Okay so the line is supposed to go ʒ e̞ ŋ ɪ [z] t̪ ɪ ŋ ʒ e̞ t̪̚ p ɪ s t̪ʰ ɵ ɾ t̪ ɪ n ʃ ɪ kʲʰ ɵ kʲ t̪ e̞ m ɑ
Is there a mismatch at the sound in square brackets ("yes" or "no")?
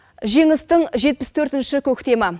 yes